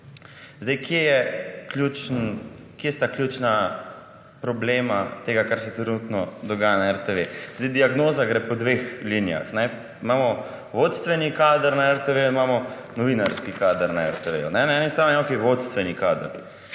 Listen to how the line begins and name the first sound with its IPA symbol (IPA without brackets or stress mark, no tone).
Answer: z